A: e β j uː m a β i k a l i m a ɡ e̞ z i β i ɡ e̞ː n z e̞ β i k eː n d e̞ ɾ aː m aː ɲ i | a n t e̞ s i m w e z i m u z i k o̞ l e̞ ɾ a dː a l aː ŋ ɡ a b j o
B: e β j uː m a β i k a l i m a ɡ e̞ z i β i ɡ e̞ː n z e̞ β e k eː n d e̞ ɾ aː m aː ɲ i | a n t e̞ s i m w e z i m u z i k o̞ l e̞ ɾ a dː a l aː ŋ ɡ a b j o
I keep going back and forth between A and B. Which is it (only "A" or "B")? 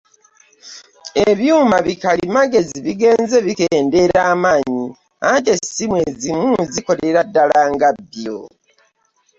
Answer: A